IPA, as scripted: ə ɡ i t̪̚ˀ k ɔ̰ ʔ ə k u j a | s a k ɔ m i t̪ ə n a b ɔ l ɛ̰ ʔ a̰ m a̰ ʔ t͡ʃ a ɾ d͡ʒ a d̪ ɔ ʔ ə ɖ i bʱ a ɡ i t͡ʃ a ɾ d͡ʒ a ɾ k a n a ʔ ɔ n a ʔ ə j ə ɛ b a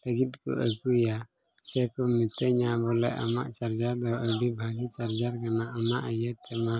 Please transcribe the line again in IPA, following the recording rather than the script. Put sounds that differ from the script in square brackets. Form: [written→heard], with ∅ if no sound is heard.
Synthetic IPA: ə ɡ i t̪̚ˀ k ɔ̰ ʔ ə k u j a | s [a→ɛ] k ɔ m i t̪ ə [n→ɲ] a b ɔ l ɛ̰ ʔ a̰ m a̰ ʔ t͡ʃ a ɾ d͡ʒ a d̪ ɔ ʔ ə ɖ i bʱ a ɡ i t͡ʃ a ɾ d͡ʒ a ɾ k a n a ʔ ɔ n a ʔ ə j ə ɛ [b→m] a